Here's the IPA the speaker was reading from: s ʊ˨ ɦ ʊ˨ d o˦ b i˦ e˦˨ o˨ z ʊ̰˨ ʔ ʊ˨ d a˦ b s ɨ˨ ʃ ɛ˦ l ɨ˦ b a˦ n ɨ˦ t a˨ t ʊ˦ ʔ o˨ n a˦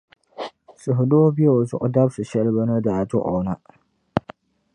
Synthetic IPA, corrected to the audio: s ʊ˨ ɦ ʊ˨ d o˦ b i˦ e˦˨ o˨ z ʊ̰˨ ʔ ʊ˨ d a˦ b s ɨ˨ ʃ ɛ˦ l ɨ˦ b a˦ n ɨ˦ d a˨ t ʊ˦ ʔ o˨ n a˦